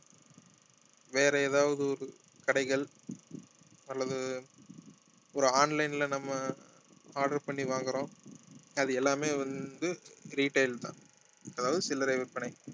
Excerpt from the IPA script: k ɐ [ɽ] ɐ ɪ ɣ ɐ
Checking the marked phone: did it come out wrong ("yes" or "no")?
no